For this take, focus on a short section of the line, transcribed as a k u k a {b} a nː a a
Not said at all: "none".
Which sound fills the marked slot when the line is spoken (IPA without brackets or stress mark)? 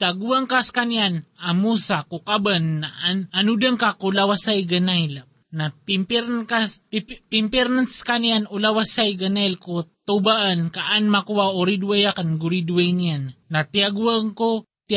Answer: b